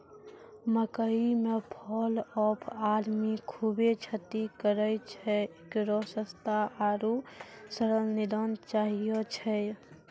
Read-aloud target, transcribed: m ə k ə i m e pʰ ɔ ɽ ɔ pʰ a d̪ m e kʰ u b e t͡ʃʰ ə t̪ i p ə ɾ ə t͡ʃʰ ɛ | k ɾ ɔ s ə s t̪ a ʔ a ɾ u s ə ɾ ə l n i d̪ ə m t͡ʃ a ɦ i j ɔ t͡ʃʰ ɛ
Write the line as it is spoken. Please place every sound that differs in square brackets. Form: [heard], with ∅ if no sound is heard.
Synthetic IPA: m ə k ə i m e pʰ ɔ [l] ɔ pʰ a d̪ m [i] kʰ u b e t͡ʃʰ ə t̪ i [k] ə ɾ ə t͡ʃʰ ɛ | k ɾ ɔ s ə s t̪ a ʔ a ɾ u s ə ɾ ə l n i d̪ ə [n] t͡ʃ a ɦ i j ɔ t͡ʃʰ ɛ